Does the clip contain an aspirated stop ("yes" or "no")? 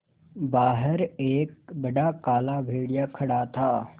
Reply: yes